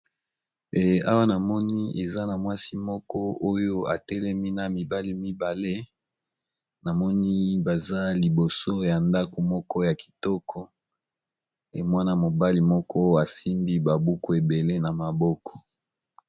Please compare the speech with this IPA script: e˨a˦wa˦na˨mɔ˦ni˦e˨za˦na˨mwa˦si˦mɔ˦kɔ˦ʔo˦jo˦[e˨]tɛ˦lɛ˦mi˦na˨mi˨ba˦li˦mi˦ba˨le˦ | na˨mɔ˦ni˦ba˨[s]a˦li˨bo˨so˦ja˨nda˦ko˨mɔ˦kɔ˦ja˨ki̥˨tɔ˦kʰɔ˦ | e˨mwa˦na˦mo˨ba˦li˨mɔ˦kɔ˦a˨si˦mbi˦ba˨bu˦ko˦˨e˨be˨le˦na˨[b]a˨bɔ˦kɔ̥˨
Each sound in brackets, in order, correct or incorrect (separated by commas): incorrect, incorrect, incorrect